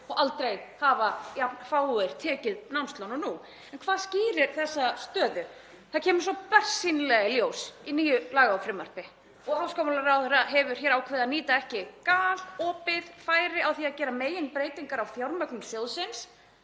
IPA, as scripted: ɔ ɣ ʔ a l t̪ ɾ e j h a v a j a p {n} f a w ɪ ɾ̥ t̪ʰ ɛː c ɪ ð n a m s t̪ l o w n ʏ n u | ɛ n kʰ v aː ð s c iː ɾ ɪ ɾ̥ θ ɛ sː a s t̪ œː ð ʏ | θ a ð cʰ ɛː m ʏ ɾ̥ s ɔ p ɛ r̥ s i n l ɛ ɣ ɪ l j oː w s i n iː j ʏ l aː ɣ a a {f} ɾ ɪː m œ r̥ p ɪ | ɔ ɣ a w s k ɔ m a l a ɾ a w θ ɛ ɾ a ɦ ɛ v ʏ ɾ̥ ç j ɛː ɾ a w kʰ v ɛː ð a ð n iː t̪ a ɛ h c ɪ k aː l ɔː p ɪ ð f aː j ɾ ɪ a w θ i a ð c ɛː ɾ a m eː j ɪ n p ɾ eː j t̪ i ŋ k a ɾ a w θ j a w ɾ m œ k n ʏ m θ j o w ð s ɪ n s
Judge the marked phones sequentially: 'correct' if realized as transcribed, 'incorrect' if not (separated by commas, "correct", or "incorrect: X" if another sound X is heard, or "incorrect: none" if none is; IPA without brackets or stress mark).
correct, correct